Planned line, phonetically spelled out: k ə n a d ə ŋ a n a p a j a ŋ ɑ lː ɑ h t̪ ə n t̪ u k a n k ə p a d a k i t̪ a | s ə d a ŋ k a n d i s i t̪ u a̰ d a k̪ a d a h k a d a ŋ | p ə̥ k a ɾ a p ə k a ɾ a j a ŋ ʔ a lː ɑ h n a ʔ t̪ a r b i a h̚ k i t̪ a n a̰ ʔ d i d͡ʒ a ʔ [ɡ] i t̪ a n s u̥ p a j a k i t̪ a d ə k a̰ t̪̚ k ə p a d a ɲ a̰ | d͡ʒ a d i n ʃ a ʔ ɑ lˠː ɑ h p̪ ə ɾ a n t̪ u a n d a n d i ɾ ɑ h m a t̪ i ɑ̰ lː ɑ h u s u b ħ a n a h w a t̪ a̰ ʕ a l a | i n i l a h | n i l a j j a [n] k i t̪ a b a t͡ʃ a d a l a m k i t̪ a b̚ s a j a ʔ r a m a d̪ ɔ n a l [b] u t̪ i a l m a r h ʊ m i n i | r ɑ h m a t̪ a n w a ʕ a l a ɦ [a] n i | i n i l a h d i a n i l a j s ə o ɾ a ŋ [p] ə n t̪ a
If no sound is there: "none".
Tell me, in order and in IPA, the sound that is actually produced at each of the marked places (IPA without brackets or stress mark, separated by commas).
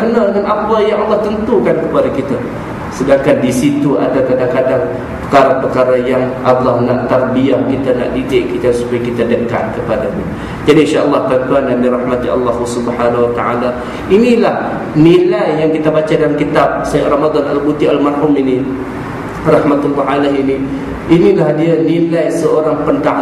k, ŋ, b, i, p